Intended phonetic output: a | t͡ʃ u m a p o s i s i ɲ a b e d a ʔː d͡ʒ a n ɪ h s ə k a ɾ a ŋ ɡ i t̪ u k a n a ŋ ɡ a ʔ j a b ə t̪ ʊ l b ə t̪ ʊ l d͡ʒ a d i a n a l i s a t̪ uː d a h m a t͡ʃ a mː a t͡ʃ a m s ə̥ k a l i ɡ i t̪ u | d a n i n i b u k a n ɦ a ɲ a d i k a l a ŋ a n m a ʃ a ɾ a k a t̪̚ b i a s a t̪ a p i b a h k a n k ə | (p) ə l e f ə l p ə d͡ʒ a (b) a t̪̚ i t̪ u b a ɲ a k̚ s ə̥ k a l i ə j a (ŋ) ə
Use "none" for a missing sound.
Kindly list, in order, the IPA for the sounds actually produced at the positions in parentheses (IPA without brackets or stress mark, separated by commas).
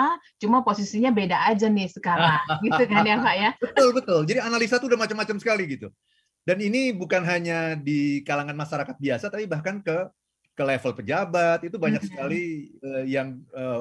k, b, ŋ